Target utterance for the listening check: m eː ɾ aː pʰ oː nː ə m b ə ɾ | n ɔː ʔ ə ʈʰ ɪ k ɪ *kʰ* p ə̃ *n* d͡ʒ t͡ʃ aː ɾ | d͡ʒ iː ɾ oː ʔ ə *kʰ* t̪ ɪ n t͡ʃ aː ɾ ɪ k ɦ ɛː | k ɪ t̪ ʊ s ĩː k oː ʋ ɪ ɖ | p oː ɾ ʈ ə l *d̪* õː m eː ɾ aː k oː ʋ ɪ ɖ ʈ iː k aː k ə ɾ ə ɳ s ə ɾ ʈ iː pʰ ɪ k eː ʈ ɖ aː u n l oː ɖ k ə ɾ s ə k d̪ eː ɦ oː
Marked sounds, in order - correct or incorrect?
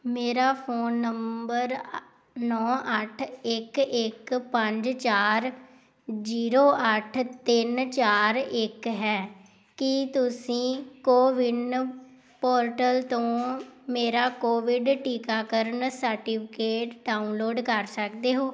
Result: incorrect: k, incorrect: ɲ, incorrect: ʈʰ, incorrect: t̪

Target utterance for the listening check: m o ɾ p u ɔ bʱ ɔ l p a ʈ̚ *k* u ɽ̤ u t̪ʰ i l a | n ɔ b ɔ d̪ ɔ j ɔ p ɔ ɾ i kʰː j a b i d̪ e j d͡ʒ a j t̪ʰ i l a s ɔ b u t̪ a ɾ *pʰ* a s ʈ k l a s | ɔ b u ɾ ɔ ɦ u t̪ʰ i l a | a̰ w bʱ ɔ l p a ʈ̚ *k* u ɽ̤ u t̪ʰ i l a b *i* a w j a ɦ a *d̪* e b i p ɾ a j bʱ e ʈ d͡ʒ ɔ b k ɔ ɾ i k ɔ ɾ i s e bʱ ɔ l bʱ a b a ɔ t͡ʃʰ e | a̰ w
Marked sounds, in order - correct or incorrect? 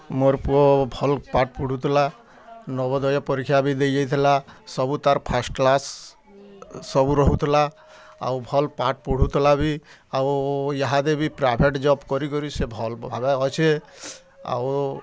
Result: incorrect: p, correct, incorrect: p, correct, correct

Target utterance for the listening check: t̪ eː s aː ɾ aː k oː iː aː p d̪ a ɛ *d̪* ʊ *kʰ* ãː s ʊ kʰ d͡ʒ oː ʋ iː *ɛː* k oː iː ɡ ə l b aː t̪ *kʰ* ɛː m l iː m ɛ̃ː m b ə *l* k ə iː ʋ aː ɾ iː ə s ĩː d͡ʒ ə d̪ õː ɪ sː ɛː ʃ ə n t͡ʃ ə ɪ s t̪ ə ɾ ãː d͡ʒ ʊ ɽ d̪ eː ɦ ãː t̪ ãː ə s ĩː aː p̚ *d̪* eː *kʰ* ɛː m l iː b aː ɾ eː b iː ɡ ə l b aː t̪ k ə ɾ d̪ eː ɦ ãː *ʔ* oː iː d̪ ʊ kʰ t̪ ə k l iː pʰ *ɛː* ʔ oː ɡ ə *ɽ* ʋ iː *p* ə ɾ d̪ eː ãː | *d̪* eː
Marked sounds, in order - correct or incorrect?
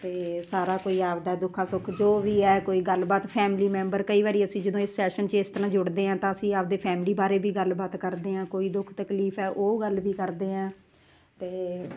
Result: correct, correct, correct, incorrect: pʰ, incorrect: ɾ, correct, incorrect: pʰ, incorrect: k, correct, incorrect: l, incorrect: k, incorrect: t̪

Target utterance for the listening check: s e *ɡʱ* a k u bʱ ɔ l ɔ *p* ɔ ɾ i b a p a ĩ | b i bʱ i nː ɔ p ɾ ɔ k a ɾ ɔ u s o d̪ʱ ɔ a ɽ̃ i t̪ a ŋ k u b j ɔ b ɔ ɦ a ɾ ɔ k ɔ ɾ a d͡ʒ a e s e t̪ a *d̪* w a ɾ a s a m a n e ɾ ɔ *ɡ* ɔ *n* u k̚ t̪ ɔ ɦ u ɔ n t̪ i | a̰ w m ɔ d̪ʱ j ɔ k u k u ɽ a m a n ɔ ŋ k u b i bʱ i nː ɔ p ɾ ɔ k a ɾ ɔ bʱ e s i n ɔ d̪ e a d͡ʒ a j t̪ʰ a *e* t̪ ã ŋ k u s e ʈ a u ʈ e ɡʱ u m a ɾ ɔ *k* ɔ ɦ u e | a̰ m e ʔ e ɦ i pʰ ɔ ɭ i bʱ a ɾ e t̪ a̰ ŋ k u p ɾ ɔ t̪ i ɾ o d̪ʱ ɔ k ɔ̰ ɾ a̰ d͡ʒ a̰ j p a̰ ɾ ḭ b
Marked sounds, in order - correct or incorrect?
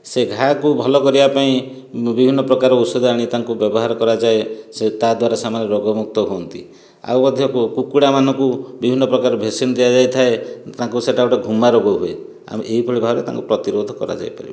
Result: correct, incorrect: k, correct, correct, incorrect: m, correct, incorrect: ɡ

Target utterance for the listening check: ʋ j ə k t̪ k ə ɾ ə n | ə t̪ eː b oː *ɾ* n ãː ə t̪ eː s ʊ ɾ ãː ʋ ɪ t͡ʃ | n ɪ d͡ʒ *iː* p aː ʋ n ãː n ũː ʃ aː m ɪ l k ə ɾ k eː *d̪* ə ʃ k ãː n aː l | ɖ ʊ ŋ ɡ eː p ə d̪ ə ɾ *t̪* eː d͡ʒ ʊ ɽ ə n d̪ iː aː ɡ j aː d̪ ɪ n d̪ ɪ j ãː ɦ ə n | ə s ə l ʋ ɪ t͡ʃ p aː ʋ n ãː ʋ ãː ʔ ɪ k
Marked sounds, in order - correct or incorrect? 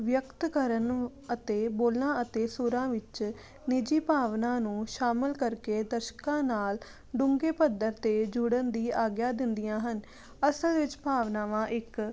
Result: incorrect: l, correct, correct, correct

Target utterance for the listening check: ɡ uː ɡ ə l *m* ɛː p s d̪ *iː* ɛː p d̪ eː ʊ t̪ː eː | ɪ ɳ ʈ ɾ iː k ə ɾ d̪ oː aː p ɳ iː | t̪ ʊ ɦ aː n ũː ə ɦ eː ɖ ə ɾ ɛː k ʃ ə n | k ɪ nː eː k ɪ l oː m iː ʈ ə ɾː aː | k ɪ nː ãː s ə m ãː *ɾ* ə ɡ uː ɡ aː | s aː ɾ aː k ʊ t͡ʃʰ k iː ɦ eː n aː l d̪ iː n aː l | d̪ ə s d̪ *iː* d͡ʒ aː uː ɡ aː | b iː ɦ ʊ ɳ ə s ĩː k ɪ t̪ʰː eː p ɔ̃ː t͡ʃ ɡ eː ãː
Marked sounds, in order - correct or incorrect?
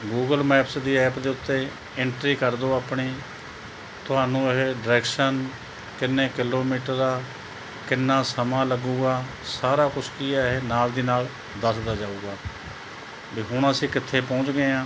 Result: correct, correct, incorrect: l, incorrect: aː

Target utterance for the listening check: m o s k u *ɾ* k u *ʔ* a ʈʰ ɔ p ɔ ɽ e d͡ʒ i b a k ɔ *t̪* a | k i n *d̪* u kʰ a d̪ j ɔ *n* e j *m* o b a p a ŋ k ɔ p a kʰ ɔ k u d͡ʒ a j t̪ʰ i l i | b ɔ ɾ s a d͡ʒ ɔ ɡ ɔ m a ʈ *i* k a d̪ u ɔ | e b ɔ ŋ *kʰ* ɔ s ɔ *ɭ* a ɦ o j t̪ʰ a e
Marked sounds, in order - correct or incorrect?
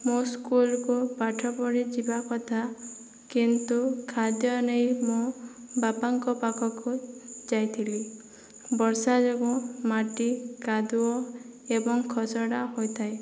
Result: incorrect: l, incorrect: p, incorrect: t̪ʰ, incorrect: t̪, correct, correct, correct, correct, incorrect: ɽ

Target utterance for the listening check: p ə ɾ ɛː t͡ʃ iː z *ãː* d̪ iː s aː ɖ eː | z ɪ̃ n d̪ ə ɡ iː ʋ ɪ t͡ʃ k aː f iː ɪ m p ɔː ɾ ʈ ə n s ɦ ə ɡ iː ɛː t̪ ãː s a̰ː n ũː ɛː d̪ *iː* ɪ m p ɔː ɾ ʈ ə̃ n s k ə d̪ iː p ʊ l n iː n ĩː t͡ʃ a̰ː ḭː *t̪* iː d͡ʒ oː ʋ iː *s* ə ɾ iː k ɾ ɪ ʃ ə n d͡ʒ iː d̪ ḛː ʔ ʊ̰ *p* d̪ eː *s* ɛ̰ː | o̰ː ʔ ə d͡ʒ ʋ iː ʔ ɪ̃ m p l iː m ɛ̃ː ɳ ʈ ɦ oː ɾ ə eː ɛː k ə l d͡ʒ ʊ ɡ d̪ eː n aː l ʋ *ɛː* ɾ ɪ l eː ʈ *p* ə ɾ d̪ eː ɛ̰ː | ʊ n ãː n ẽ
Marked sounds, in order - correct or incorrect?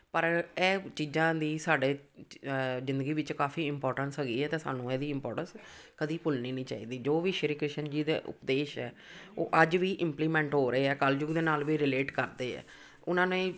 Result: correct, correct, incorrect: d̪, incorrect: ʃ, correct, incorrect: ʃ, incorrect: iː, incorrect: k

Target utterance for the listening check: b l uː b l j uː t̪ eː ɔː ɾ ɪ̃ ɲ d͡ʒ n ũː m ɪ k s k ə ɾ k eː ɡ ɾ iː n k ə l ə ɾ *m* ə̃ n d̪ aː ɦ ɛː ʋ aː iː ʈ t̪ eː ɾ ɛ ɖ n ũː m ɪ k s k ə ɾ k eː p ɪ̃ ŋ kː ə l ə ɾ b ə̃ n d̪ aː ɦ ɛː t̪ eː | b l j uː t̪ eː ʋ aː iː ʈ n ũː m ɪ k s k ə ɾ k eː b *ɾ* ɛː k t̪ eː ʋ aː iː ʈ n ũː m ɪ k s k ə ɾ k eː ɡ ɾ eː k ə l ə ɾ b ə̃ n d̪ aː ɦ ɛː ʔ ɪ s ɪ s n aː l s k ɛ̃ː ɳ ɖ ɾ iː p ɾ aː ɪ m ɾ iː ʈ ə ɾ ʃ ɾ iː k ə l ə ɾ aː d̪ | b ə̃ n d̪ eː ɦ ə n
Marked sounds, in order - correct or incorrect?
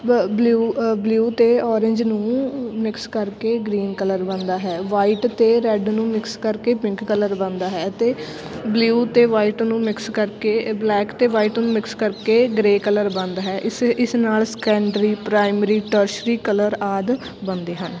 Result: incorrect: b, incorrect: l

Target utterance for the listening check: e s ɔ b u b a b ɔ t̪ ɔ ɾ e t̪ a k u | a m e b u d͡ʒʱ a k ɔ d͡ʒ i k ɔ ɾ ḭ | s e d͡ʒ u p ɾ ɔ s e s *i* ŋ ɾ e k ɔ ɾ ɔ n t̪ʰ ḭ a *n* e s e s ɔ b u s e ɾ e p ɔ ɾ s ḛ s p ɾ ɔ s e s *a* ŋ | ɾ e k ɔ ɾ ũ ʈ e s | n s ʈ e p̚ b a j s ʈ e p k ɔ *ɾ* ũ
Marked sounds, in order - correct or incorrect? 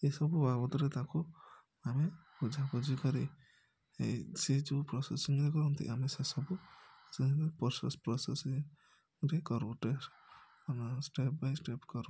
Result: correct, incorrect: m, incorrect: i, correct

